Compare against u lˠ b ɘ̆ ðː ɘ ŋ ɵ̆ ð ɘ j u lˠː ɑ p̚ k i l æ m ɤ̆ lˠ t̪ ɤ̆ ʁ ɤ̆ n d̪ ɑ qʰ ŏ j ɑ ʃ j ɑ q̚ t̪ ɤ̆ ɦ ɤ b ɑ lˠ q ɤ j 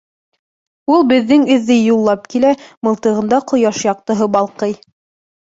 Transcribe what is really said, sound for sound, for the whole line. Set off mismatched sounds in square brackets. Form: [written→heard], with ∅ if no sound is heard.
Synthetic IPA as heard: u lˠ b ɘ̆ ðː ɘ ŋ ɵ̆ [ð→ðː] ɘ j u lˠː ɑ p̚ k i l æ m ɤ̆ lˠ t̪ ɤ̆ ʁ ɤ̆ n d̪ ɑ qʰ ŏ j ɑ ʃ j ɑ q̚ t̪ ɤ̆ ɦ ɤ b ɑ lˠ q ɤ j